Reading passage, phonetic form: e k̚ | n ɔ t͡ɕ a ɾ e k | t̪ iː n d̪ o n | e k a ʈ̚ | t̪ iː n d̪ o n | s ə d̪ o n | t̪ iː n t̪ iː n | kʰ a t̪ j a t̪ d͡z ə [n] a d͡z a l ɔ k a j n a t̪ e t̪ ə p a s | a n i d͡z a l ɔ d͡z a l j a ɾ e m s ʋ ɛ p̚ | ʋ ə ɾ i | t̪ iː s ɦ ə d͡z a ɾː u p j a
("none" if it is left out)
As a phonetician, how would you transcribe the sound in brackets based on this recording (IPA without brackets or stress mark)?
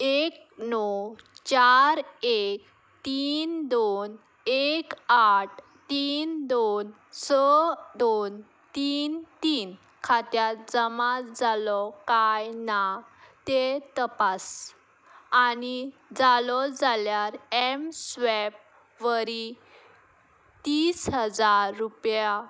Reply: m